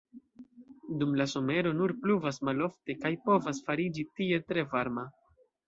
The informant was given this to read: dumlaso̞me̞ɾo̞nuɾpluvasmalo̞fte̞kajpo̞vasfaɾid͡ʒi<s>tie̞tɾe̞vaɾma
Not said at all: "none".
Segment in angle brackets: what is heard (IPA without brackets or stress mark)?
none